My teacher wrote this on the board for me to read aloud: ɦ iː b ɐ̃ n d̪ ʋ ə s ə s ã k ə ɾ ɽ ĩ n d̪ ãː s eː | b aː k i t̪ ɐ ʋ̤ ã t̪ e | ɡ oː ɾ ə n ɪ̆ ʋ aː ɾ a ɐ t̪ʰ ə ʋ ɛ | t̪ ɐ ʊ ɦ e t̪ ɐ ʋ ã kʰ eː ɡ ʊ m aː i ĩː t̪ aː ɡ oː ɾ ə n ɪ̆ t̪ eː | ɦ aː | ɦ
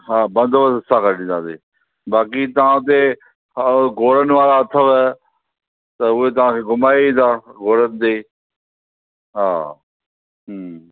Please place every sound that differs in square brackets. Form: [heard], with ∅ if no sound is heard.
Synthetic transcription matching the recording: ɦ [aː] b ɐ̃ n d̪ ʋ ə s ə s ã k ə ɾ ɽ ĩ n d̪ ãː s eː | b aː k i t̪ ɐ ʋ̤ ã t̪ e | ɡ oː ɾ ə n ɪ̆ ʋ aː ɾ a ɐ t̪ʰ ə ʋ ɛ | t̪ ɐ ʊ ɦ e t̪ ɐ ʋ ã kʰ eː ɡ ʊ m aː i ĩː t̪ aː ɡ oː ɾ ə n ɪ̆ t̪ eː | ɦ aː | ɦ